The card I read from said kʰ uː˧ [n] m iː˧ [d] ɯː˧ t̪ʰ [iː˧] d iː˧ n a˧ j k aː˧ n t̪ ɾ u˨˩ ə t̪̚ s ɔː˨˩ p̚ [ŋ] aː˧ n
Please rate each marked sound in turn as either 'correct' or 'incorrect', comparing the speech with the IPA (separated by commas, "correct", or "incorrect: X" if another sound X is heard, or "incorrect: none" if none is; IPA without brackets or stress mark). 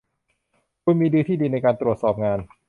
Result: correct, correct, incorrect: iː˥˩, correct